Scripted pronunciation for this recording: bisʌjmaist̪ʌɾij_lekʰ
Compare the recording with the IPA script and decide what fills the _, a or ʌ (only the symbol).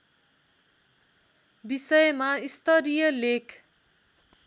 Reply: ʌ